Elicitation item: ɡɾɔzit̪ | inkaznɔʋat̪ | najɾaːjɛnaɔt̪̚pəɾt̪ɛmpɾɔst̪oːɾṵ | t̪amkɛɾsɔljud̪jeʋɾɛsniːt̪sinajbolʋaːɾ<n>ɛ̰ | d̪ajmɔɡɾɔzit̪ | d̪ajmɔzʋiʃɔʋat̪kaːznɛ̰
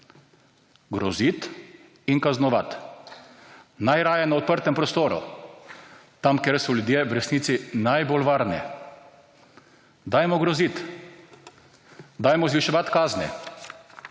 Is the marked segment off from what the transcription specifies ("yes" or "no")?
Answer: no